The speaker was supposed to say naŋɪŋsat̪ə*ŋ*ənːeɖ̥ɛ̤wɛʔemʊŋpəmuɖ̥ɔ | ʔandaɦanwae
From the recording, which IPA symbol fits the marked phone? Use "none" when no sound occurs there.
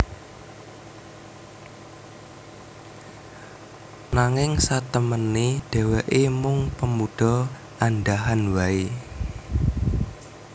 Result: m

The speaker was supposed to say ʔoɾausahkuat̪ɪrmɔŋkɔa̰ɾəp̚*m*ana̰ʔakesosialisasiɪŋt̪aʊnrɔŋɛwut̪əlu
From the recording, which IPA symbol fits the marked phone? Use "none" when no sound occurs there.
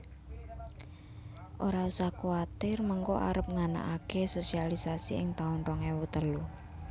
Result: ŋ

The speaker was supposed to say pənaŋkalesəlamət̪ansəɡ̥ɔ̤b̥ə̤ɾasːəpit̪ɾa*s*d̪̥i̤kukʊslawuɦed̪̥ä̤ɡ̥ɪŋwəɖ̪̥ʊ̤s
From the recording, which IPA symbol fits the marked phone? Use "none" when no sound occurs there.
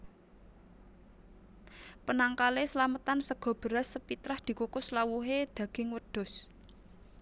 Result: h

